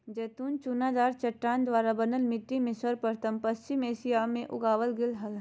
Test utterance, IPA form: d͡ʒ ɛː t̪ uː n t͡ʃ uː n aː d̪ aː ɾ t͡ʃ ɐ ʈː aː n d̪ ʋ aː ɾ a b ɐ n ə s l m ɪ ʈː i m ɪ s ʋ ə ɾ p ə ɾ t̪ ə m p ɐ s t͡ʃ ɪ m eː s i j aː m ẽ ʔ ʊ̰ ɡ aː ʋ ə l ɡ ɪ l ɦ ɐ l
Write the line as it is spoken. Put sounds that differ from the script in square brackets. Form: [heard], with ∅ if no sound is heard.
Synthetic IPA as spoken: d͡ʒ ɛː t̪ uː n t͡ʃ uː n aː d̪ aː ɾ t͡ʃ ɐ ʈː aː n d̪ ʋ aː ɾ a b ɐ n ə [∅] l m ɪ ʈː i m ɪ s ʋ ə ɾ p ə ɾ t̪ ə m p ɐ s t͡ʃ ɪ m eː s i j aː m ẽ ʔ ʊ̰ ɡ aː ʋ ə l ɡ ɪ l ɦ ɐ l